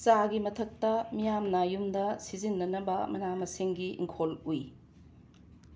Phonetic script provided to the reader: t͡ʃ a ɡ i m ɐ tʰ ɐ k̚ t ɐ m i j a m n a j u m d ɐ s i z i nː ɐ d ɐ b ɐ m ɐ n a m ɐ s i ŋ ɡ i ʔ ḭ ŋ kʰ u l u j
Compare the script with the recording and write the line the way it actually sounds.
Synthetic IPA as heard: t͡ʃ a ɡ i m ɐ tʰ ɐ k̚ t ɐ m i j a m n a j u m d ɐ s i z i nː ɐ n ɐ b ɐ m ɐ n a m ɐ s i ŋ ɡ i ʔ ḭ ŋ kʰ o l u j